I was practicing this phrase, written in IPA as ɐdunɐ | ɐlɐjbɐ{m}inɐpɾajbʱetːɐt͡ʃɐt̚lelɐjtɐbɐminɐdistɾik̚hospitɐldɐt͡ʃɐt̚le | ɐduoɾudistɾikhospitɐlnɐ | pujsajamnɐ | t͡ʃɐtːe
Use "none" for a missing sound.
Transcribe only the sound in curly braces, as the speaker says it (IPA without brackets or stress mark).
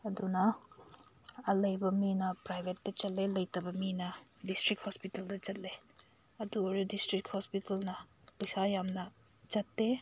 m